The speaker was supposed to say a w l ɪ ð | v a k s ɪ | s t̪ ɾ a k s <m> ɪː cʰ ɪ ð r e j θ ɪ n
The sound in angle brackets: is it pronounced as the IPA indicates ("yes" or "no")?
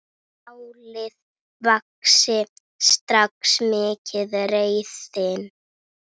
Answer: yes